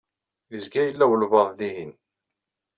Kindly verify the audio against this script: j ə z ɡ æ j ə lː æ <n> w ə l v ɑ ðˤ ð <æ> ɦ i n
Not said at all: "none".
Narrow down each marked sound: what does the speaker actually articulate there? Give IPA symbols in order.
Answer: none, i

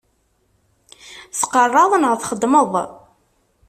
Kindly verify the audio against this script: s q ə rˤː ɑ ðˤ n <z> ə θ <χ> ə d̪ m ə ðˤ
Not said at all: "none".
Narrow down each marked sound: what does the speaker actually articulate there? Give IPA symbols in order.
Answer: ʁ, χ

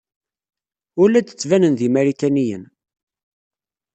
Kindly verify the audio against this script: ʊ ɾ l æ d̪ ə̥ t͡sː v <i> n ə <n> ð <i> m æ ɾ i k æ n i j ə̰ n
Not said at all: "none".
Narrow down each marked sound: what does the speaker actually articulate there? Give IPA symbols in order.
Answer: æ, n, i

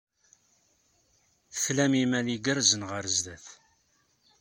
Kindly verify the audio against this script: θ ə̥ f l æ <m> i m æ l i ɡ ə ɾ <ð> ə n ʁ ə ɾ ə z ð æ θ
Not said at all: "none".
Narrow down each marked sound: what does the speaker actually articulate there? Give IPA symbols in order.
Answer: m, z

